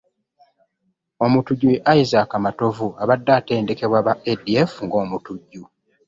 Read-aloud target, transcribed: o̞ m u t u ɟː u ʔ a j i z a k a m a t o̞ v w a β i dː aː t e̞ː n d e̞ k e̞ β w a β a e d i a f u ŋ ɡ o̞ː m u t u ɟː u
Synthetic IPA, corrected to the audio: o̞ m u t u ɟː u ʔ a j i z a k a m a t o̞ v u a β a dː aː t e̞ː n d e̞ k e̞ β w a β a e d i e f u ŋ ɡ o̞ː m u t u ɟː u